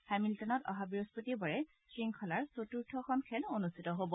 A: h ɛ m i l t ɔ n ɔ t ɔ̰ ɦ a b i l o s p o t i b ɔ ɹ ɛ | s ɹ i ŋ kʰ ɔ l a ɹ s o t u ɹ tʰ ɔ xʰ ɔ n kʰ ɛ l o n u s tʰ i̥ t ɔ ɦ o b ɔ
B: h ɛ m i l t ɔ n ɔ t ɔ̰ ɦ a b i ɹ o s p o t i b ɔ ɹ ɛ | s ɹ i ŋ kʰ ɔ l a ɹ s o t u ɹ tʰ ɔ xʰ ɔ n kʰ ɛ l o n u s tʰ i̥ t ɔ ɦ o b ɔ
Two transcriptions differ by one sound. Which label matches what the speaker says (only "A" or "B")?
B